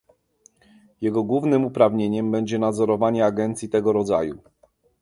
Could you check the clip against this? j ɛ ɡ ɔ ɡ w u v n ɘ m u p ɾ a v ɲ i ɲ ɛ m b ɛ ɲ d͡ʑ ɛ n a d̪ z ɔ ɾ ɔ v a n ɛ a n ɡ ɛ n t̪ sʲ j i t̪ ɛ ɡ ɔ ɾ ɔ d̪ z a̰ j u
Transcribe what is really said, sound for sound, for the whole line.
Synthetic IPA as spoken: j ɛ ɡ ɔ ɡ w u v n ɘ m u p ɾ a v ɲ e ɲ ɛ m b ɛ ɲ d͡ʑ ɛ n a d̪ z ɔ ɾ ɔ v a ɲ ɛ a ɡ ɛ n t̪ sʲ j i t̪ ɛ ɡ ɔ ɾ ɔ d̪ z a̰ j u